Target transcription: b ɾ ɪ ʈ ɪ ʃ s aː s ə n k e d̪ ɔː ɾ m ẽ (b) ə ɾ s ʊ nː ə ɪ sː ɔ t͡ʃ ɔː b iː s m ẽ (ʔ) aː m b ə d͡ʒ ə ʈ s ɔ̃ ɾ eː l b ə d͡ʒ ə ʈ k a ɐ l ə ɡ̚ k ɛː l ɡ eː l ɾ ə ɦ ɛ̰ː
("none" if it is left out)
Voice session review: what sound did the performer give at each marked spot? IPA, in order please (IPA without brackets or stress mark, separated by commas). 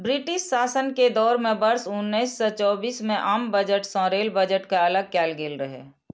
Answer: b, ʔ